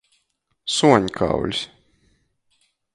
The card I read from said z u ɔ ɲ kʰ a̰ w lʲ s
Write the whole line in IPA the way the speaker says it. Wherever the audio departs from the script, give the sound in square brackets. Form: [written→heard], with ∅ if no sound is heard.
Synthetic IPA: [z→s] u ɔ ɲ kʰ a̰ w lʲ s